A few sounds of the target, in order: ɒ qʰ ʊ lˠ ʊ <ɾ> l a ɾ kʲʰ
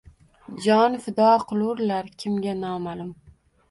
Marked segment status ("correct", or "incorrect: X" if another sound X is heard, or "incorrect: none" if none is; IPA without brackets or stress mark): correct